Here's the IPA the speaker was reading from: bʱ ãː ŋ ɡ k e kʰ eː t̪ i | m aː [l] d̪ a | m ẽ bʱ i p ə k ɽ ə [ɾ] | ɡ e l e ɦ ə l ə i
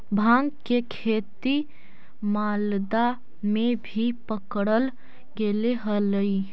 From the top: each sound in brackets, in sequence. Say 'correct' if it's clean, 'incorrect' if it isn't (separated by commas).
correct, incorrect